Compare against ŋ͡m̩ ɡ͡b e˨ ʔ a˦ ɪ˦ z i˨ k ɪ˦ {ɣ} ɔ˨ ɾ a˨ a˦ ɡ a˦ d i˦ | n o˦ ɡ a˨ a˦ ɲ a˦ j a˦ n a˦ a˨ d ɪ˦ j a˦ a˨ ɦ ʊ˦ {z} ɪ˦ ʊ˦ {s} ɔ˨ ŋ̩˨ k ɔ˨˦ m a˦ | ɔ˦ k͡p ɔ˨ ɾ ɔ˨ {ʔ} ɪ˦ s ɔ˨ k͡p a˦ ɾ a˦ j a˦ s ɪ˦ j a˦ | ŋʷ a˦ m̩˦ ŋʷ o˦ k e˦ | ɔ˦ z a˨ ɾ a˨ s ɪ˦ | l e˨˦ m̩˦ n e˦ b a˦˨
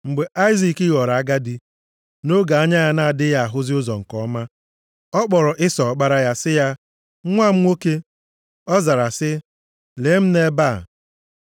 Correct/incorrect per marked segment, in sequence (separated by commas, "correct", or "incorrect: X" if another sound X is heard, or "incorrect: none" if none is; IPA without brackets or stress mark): correct, correct, incorrect: z, correct